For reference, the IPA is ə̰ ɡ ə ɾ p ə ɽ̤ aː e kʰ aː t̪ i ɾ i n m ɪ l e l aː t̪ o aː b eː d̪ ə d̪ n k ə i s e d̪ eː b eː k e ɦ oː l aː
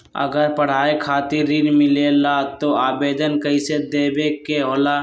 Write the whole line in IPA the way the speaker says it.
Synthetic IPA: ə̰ ɡ ə ɾ p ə ɽ̤ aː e kʰ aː t̪ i ɾ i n m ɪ l e l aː t̪ o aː b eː d̪ ə n k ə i s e d̪ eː b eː k e ɦ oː l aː